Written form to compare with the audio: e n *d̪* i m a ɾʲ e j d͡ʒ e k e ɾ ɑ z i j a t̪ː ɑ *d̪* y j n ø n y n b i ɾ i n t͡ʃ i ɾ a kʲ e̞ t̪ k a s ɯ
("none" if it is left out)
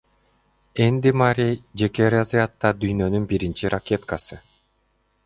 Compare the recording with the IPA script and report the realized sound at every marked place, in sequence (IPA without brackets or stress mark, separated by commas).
d̪, d̪